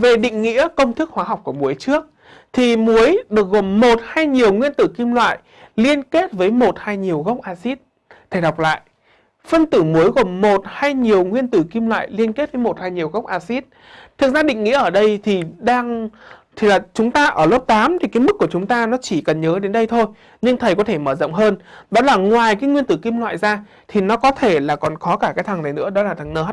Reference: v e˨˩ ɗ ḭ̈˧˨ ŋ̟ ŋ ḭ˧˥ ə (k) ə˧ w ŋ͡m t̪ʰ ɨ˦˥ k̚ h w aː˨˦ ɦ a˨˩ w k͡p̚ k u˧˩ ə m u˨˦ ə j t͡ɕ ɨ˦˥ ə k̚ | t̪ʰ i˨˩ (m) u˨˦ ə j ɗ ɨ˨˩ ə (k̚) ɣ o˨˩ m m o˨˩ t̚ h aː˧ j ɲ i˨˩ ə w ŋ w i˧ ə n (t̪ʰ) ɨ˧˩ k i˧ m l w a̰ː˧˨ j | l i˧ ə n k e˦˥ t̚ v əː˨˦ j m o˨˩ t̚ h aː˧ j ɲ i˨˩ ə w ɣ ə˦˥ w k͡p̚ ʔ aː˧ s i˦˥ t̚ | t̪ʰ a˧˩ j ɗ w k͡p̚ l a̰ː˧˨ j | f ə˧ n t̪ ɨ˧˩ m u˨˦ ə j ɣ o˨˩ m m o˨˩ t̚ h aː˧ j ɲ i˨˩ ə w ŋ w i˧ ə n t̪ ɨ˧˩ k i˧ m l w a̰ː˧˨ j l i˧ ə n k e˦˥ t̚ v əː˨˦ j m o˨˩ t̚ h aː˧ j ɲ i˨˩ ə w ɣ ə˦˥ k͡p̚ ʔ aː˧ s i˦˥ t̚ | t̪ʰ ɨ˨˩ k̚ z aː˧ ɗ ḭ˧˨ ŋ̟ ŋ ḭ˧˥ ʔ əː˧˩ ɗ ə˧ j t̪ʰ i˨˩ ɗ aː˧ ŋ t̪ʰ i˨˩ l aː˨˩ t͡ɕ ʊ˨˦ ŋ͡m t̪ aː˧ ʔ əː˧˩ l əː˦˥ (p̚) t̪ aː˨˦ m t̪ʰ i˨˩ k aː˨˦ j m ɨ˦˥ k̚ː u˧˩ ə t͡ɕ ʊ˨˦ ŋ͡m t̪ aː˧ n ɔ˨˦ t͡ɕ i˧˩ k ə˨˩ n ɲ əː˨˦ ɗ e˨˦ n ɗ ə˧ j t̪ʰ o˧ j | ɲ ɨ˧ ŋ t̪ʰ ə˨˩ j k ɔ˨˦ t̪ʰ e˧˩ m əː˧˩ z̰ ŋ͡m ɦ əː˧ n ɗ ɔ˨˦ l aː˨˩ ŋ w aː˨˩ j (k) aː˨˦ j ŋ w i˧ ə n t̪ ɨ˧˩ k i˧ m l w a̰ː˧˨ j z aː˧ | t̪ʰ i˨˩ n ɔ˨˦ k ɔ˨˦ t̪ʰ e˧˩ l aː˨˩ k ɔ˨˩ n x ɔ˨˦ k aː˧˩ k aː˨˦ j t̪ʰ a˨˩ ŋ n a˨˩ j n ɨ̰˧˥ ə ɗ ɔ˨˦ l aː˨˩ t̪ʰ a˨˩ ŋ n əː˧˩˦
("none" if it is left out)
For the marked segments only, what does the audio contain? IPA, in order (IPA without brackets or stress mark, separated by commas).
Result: k, m, k̚, t̪, p̚, k